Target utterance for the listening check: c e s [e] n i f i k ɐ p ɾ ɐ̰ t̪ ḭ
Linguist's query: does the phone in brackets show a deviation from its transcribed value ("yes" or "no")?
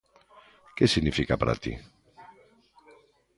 yes